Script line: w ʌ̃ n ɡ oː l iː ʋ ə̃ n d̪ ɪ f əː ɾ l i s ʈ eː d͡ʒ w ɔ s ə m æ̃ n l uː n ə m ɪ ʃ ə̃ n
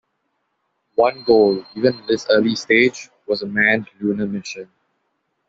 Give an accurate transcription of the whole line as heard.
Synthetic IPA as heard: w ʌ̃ n ɡ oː l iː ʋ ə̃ n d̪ ɪ s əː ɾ l i s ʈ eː d͡ʒ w ɔ z ə m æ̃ n l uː n ə m ɪ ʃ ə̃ n